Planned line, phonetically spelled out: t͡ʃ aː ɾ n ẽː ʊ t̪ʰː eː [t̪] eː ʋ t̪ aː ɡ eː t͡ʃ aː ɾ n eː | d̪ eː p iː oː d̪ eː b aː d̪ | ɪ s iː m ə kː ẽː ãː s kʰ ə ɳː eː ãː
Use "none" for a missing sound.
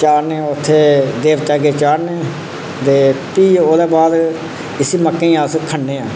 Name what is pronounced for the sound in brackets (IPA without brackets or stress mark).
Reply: d̪